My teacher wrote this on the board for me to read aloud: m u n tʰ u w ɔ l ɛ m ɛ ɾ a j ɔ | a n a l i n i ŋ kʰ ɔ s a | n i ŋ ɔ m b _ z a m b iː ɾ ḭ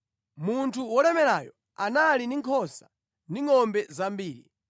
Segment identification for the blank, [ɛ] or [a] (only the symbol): ɛ